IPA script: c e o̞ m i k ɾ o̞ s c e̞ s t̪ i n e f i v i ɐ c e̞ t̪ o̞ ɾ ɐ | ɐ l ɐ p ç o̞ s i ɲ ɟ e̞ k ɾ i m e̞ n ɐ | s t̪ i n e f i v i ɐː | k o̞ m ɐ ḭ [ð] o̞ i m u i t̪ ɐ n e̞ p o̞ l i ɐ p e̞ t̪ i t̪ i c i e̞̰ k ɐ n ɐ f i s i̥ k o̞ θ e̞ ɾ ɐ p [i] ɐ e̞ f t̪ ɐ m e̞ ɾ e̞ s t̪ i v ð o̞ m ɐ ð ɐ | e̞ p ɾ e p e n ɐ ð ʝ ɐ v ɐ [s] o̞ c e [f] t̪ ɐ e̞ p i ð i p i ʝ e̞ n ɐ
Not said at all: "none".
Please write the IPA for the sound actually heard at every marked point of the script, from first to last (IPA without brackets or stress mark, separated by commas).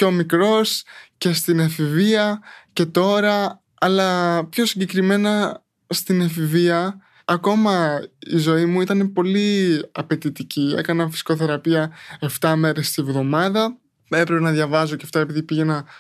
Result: z, i, z, f